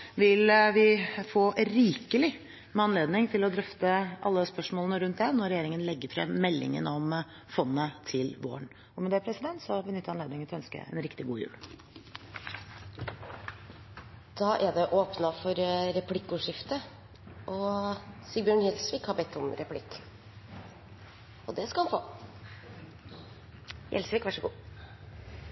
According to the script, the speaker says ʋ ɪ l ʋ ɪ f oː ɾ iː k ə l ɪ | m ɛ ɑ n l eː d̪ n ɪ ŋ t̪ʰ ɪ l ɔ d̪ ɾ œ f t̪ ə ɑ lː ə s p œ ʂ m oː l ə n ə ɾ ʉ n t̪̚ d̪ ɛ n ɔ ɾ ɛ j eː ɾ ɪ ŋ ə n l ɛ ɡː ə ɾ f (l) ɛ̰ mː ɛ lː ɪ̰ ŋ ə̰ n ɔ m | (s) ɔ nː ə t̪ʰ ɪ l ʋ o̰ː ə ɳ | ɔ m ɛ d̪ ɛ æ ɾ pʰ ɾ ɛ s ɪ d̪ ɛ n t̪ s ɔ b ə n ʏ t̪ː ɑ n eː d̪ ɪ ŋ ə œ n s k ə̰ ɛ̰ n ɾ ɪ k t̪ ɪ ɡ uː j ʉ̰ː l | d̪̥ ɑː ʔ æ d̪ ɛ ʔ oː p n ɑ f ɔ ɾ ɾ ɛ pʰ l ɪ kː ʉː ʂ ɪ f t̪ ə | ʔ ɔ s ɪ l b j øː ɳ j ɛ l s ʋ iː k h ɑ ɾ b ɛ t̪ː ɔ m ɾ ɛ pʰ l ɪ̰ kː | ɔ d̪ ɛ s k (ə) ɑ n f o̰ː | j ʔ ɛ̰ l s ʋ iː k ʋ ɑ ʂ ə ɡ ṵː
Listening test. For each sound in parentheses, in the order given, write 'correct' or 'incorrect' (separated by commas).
incorrect, incorrect, incorrect